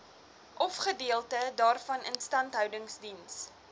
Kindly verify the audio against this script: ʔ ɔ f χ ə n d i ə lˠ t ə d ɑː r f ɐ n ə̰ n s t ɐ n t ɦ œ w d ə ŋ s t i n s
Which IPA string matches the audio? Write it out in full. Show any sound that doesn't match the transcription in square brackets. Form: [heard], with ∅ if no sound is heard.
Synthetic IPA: ʔ ɔ f χ ə [∅] d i ə lˠ t ə d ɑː r f ɐ n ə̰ n s t ɐ n t ɦ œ w d ə ŋ s [d] i n s